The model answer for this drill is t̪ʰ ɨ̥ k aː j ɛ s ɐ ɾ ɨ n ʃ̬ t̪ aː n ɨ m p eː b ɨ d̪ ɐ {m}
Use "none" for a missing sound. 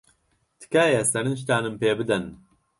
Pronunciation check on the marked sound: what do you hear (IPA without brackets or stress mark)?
n